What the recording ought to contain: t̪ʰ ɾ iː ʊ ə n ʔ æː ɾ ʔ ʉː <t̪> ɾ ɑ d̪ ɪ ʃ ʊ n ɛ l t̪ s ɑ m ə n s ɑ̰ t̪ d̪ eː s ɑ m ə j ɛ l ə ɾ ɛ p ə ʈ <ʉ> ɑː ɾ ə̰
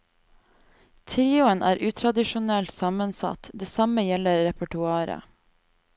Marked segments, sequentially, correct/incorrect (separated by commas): incorrect, correct